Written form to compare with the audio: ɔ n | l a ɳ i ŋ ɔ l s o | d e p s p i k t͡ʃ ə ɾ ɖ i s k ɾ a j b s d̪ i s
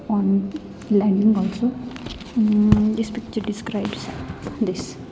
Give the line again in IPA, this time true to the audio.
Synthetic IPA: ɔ n | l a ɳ i ŋ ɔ l s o | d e s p i k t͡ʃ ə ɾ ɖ i s k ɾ a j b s d̪ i s

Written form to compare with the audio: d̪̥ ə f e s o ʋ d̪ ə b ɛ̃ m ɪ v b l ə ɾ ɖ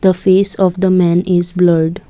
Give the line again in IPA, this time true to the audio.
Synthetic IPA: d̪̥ ə f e s ɔ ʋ d̪ ə m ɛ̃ n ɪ z b l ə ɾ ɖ

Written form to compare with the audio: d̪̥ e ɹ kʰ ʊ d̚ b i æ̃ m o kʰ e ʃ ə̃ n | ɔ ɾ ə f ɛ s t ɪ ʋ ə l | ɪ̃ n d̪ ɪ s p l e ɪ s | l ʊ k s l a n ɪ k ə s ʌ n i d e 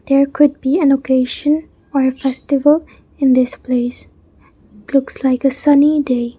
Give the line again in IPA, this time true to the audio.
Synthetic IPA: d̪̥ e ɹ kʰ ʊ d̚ b i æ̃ n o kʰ e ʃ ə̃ n | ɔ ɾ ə f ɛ s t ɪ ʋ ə l | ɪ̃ n d̪ ɪ s p l e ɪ s | l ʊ k s l a ɪ k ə s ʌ n i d e

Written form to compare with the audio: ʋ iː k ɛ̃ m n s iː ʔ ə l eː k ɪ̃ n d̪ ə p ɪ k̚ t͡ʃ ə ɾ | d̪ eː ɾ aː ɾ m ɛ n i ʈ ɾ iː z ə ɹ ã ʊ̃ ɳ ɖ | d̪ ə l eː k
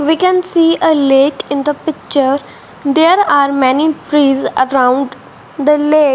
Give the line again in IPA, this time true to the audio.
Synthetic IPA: ʋ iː k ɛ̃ n s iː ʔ ə l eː k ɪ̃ n d̪ ə p ɪ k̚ t͡ʃ ə ɾ | d̪ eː ɾ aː ɾ m ɛ n i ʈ ɾ iː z ə ɾ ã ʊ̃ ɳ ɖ | d̪ ə l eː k

